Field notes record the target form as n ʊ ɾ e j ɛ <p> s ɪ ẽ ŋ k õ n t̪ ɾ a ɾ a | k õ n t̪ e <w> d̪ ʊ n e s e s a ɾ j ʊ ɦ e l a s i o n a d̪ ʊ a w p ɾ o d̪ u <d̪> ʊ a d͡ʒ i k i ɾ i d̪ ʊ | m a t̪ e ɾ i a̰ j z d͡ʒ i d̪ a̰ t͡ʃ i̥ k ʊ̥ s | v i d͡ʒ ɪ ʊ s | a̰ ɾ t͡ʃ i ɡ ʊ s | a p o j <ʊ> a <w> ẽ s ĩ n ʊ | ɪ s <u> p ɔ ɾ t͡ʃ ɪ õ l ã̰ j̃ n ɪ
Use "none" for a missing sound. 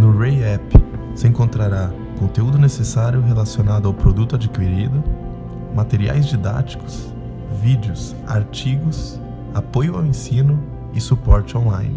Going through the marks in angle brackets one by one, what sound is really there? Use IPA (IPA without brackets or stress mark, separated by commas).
p, u, t̪, ʊ, w, u